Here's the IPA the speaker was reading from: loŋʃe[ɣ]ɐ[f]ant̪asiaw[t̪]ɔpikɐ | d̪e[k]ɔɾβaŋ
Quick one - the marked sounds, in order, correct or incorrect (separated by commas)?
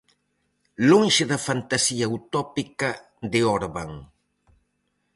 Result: incorrect, correct, correct, incorrect